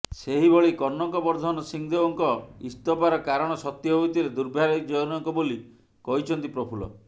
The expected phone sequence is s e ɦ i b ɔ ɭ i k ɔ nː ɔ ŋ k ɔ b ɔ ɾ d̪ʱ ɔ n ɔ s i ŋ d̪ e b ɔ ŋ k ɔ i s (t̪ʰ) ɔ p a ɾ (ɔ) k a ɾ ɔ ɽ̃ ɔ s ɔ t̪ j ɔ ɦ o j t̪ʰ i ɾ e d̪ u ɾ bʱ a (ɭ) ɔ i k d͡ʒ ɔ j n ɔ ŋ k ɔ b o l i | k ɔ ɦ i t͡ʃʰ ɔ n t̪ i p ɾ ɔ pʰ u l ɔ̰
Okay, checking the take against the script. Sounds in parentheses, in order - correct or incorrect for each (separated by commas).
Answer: incorrect, correct, incorrect